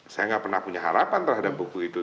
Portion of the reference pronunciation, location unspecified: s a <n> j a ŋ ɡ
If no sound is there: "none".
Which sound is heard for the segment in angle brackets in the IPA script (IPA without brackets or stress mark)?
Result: none